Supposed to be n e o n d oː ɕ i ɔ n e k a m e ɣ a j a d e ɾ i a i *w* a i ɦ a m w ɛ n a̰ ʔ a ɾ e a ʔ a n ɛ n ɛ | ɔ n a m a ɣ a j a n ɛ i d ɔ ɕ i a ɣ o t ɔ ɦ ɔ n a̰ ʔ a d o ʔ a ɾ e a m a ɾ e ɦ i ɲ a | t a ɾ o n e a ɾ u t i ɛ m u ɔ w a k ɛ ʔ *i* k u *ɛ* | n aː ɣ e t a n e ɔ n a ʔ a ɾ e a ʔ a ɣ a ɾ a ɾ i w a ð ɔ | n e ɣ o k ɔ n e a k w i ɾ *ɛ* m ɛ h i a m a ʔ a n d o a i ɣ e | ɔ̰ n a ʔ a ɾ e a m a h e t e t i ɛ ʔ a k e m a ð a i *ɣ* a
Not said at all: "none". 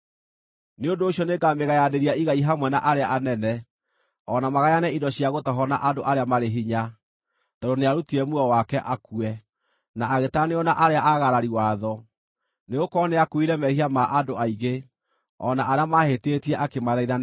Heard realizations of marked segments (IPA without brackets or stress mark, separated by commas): ɣ, a, ɛ, ɛ, ð